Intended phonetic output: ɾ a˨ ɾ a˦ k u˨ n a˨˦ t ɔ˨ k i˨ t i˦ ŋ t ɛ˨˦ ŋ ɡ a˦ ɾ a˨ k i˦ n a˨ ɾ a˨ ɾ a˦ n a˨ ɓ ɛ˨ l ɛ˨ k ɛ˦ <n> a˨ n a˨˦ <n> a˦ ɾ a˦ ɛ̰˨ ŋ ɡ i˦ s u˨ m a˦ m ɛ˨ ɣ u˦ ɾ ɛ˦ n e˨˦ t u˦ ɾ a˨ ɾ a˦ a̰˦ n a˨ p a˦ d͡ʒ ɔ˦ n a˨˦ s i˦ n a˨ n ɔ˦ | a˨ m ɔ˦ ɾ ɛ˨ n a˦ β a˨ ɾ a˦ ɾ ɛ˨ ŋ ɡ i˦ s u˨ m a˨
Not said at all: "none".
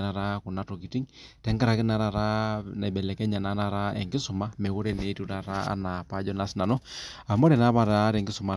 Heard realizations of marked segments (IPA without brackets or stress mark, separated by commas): ɲ, n